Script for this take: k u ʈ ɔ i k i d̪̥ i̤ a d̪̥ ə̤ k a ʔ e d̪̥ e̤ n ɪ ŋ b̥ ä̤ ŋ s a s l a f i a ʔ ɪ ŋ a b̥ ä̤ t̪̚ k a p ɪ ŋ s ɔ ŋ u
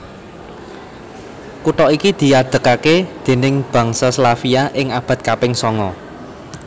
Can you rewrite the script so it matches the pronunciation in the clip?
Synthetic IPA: k u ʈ ɔ i k i d̪̥ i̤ a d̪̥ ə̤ k a k e d̪̥ e̤ n ɪ ŋ b̥ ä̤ ŋ s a s l a f i a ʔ ɪ ŋ a b̥ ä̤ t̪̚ k a p ɪ ŋ s ɔ ŋ ɔ